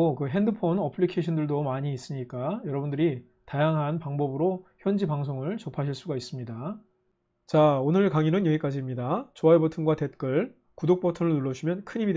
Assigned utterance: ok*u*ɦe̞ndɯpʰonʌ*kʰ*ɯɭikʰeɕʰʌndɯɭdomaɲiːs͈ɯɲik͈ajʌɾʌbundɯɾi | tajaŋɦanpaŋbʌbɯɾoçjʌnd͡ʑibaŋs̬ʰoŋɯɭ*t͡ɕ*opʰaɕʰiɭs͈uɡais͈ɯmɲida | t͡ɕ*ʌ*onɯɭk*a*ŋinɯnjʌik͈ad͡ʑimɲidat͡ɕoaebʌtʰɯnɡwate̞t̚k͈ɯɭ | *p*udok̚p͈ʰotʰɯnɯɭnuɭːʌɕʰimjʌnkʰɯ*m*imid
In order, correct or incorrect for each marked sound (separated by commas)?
incorrect, incorrect, correct, incorrect, correct, incorrect, incorrect